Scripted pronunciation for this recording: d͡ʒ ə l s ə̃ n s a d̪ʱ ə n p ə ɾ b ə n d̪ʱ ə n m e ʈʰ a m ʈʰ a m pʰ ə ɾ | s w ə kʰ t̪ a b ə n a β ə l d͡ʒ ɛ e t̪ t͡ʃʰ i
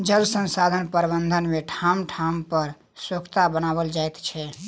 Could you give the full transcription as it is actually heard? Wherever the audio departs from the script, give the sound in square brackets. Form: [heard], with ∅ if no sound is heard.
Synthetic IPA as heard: d͡ʒ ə l s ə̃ n s a d̪ʱ ə n p ə ɾ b ə n d̪ʱ ə n m e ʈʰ a m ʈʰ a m [p] ə ɾ | s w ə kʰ t̪ a b ə n a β ə l d͡ʒ [a] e t̪ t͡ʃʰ [ɛ]